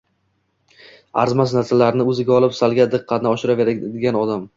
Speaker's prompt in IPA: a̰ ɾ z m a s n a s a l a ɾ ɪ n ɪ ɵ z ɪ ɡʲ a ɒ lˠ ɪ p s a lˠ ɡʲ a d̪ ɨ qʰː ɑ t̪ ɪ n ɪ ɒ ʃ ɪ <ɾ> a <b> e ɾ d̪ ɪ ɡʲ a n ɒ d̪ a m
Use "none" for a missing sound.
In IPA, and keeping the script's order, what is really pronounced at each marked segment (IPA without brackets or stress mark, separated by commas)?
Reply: ɾ, v